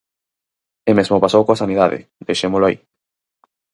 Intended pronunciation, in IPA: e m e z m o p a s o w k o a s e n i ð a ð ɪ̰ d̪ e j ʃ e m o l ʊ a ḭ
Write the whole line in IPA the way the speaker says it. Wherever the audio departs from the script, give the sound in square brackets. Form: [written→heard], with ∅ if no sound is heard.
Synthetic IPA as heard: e m e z m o p a s o w k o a s [e→a] n i ð a ð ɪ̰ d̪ e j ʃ e m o l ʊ a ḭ